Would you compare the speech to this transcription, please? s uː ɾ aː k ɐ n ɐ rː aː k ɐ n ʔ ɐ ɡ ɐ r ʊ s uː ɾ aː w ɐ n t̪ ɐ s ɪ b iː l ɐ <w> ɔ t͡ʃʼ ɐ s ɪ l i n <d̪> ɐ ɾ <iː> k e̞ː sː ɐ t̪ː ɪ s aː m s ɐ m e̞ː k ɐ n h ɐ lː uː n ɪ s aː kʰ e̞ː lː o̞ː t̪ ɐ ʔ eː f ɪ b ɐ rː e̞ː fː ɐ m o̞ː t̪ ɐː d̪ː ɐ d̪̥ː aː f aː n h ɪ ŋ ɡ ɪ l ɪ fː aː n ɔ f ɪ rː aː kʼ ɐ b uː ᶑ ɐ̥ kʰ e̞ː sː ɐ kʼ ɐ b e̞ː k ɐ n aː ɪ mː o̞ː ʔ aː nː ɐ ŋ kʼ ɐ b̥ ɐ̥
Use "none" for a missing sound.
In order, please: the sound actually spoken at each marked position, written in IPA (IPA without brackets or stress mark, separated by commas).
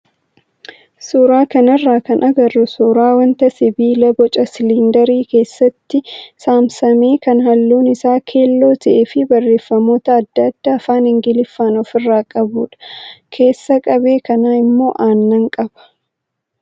b, d̪, iː